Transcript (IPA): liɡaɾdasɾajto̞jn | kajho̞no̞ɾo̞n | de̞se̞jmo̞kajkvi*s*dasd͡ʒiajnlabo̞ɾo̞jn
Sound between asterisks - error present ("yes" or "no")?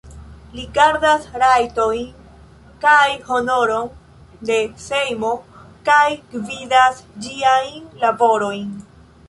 yes